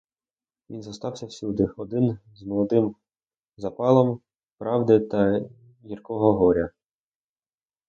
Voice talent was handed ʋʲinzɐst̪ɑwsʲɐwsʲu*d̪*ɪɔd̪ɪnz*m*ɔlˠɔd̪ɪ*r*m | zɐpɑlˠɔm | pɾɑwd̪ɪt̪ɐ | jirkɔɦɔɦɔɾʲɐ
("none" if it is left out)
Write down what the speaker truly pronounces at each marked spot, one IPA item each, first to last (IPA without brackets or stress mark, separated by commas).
d̪, m, none